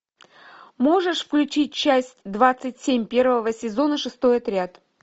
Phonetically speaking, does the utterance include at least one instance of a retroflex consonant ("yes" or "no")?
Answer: yes